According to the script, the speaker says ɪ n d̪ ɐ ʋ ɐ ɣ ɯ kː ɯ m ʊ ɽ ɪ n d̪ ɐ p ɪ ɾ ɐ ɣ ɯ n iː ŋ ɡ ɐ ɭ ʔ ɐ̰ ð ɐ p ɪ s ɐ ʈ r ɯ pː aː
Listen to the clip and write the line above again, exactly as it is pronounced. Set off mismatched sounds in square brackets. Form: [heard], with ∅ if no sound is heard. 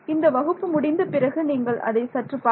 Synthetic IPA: ɪ n d̪ ɐ ʋ ɐ ɣ ɯ [pː] ɯ m ʊ ɽ ɪ n d̪ ɐ p ɪ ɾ ɐ ɣ ɯ n iː ŋ ɡ ɐ ɭ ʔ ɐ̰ ð ɐ [∅] ɪ s ɐ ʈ r ɯ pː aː